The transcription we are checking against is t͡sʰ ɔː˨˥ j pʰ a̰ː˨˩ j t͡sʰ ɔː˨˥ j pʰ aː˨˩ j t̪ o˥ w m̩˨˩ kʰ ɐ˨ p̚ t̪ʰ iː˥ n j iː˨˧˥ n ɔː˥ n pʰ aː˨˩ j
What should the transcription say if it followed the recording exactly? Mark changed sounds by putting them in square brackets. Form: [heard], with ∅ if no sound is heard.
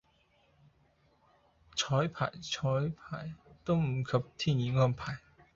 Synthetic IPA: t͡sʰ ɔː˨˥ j pʰ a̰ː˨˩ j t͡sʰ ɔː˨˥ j pʰ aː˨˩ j t̪ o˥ w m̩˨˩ kʰ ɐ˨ p̚ t̪ʰ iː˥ n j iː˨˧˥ [ŋ] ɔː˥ n pʰ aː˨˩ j